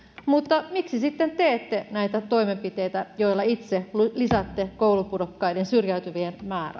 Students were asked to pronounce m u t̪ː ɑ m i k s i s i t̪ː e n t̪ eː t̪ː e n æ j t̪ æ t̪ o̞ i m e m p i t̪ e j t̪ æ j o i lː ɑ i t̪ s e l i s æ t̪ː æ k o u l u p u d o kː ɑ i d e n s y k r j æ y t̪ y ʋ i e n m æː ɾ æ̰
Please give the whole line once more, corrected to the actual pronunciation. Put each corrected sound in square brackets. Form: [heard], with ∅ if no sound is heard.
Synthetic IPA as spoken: m u t̪ː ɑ m i k s i s i t̪ː e n t̪ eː t̪ː e n æ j t̪ æ t̪ o̞ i m e m p i t̪ e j t̪ æ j o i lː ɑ i t̪ s e l i s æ t̪ː [e] k o u l u p u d o kː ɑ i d e n s y [∅] r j æ y t̪ y ʋ i e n m æː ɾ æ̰